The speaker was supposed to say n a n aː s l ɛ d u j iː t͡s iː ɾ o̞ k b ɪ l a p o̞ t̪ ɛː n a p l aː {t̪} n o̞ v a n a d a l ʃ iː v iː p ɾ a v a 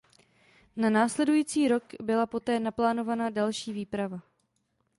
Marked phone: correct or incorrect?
incorrect